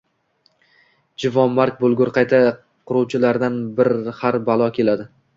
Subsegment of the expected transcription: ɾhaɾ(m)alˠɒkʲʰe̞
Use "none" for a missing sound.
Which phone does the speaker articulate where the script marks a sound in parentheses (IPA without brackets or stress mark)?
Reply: b